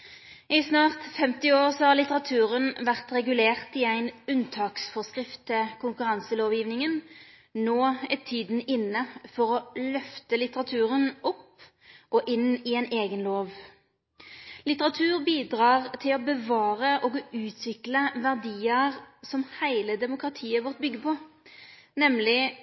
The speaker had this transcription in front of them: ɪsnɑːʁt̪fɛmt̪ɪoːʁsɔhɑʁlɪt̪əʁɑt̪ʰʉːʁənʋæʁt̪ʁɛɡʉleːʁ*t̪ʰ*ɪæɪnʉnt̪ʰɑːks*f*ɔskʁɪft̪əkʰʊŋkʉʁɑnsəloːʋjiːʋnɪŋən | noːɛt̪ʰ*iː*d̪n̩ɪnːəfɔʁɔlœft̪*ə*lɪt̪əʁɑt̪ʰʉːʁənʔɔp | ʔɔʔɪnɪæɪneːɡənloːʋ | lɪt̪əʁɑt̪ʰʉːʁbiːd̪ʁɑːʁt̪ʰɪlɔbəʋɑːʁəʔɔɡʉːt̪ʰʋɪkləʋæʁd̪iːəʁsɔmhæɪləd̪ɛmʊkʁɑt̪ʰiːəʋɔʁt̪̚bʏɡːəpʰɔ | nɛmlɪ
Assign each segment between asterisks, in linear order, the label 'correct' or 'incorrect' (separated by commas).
incorrect, correct, correct, correct